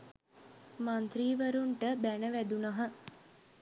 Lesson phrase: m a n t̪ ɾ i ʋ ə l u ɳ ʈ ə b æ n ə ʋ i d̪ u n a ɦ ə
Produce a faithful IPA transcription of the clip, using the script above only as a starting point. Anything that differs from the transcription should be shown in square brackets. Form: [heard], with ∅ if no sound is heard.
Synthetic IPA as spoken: m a n t̪ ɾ [iː] ʋ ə [ɾ] u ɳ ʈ ə b æ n ə ʋ [æ] d̪ u n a ɦ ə